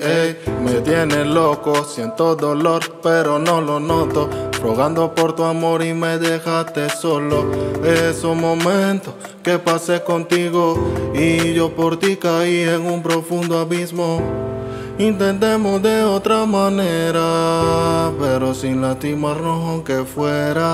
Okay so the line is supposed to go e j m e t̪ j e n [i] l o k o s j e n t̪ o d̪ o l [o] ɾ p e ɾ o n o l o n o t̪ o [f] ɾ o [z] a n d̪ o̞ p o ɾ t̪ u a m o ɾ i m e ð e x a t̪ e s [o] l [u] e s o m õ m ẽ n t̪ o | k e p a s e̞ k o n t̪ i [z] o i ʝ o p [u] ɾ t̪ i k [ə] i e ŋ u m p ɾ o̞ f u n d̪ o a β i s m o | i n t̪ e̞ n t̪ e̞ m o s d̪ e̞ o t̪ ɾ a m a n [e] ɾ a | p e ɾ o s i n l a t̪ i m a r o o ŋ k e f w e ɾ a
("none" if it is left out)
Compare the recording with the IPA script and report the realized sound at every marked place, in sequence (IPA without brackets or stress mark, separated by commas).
e, o, f, ɣ, o, o, ɣ, o, a, e